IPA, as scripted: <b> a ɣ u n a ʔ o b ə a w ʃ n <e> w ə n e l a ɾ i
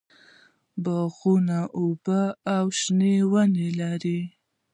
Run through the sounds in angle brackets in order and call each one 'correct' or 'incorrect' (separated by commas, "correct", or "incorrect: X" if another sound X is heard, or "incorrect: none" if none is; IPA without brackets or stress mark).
correct, correct